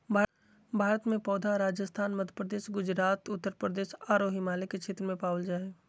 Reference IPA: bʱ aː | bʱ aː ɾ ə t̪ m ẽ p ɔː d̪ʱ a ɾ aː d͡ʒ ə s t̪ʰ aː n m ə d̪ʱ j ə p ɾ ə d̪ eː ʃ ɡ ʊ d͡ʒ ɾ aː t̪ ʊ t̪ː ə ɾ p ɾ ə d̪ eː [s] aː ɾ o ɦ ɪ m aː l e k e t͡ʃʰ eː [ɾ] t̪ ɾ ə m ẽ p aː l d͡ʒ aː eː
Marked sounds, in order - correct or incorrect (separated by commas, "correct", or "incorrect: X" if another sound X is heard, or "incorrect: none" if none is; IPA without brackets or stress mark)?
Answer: incorrect: ʃ, incorrect: none